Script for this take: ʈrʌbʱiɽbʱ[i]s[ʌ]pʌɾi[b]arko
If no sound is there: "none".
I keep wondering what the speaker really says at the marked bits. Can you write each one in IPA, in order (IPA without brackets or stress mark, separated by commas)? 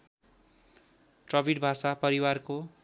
a, a, w